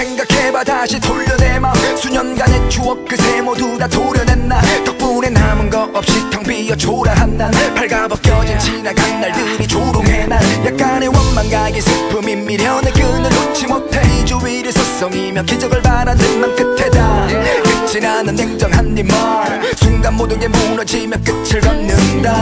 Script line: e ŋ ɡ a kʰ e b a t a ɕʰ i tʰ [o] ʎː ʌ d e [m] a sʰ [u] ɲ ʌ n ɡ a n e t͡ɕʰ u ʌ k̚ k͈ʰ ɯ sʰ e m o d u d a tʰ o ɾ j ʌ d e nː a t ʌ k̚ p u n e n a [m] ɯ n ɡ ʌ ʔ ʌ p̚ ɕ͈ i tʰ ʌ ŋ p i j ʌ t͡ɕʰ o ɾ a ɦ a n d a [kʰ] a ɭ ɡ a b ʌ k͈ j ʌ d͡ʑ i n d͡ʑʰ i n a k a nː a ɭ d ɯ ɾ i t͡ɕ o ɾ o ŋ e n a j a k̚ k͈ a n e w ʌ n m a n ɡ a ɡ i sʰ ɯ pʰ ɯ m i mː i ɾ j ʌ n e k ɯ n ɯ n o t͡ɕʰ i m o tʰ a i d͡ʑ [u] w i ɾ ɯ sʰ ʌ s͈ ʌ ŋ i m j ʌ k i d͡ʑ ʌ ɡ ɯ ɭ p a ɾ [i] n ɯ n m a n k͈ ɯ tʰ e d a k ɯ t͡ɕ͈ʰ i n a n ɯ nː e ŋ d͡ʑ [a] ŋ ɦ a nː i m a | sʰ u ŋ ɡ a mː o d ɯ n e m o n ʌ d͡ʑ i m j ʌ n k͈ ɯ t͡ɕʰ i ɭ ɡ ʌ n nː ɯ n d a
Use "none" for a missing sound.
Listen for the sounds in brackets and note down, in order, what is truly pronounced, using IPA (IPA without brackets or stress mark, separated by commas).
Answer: o, m, u, m, pʰ, u, a, ʌ